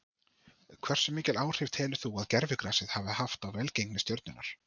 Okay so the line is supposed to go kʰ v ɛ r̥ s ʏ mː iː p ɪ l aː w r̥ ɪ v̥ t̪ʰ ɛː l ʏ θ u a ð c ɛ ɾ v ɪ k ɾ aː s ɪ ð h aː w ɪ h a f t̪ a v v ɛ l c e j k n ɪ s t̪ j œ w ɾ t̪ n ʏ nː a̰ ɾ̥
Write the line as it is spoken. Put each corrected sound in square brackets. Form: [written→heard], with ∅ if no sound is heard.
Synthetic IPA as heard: kʰ v ɛ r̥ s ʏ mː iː [p→c] ɪ l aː w r̥ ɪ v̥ t̪ʰ ɛː l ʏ θ u a ð c ɛ ɾ v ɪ k ɾ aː s ɪ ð h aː [w→v] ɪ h a f t̪ a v v ɛ l c e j k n ɪ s t̪ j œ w ɾ t̪ n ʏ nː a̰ ɾ̥